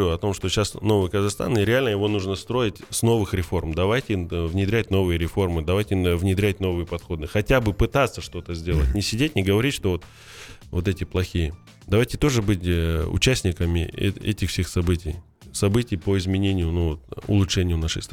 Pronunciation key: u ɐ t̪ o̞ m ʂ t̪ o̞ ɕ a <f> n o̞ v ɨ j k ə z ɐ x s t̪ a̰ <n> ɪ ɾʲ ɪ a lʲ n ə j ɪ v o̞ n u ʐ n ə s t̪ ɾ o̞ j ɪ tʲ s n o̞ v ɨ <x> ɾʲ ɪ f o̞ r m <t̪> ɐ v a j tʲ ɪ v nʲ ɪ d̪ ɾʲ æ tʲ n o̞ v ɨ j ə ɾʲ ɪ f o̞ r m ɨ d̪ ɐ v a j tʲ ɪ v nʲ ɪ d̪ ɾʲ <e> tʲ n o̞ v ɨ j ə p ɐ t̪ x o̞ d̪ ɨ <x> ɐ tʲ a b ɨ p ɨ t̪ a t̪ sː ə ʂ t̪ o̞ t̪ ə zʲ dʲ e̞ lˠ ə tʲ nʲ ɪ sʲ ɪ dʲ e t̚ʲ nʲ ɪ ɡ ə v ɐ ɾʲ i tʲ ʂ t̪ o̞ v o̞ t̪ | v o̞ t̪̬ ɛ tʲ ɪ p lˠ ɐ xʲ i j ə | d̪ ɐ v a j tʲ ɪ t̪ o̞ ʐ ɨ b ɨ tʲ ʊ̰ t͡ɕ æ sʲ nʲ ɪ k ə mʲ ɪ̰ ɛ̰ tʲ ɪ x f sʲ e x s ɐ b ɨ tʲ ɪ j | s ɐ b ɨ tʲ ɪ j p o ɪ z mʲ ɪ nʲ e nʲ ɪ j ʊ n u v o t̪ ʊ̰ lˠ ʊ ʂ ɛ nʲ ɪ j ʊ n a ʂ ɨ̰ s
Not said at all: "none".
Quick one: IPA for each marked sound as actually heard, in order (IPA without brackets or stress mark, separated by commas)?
s, n, x, d̪, æ, x